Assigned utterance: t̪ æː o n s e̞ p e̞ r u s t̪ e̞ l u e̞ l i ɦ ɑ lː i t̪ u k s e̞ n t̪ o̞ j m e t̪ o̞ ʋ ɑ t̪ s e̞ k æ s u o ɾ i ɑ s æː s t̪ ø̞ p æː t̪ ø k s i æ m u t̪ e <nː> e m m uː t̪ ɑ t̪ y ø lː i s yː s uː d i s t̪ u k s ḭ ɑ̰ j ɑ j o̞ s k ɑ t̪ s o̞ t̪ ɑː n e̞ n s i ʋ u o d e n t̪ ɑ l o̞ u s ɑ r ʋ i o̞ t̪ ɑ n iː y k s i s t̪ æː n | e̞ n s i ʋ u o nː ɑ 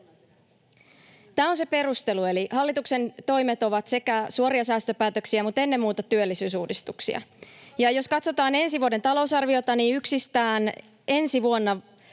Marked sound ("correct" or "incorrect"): correct